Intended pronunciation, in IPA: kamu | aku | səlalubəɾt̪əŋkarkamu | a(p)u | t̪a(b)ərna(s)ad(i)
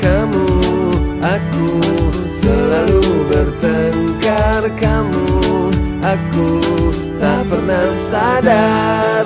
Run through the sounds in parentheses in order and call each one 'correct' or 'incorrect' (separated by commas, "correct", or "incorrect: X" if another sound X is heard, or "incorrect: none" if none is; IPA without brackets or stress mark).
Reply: incorrect: k, incorrect: p, correct, incorrect: a